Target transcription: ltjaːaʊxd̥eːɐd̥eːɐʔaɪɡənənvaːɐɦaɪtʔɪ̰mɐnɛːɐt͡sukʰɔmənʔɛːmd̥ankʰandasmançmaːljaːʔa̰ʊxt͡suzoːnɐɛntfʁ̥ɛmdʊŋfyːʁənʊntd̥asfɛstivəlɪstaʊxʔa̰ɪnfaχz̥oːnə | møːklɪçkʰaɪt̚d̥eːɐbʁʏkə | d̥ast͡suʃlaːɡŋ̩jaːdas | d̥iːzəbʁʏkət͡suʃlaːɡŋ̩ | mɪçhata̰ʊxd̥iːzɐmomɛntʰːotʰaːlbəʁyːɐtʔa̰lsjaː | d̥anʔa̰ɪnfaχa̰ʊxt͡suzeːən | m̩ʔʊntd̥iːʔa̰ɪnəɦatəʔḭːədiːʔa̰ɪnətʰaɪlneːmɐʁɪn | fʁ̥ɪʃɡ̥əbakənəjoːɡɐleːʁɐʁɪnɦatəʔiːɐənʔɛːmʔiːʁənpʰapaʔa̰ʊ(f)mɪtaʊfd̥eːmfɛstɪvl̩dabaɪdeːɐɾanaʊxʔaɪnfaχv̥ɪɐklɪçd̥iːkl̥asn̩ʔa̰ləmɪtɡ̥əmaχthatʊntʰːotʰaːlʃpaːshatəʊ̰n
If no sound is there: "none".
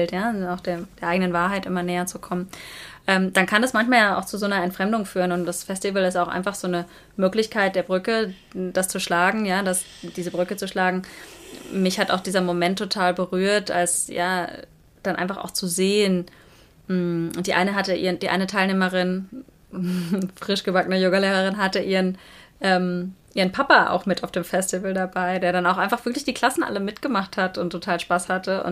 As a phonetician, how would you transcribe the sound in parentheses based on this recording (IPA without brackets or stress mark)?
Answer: x